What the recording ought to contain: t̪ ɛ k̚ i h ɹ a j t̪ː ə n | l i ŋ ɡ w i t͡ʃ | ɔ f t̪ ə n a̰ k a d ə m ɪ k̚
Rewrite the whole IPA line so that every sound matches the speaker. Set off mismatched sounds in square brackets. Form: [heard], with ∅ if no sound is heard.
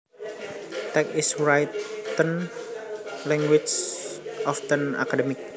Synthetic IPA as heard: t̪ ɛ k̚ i [s] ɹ a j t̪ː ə n | l [ɛ] ŋ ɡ w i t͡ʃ | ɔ f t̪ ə n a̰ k a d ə m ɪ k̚